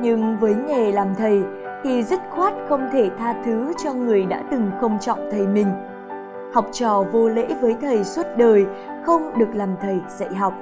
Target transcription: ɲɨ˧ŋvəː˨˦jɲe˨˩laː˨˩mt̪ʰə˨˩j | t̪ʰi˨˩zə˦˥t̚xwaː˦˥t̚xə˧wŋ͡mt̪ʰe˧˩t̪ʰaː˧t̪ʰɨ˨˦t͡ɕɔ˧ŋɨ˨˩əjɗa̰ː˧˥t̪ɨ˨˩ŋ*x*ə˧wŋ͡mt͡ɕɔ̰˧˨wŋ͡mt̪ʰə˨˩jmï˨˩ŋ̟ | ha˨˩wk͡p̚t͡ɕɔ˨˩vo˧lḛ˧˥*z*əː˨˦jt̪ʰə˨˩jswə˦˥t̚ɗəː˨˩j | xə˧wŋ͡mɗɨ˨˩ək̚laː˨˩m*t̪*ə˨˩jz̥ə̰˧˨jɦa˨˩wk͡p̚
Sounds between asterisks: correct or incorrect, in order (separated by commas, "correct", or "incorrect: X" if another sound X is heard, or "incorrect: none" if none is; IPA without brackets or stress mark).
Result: correct, incorrect: v, incorrect: t̪ʰ